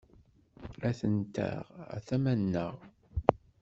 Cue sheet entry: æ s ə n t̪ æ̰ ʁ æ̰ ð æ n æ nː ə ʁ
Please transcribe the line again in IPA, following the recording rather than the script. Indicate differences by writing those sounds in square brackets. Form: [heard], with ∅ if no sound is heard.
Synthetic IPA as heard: æ [θ] ə n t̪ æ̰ ʁ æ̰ [θ] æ [m] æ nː ə ʁ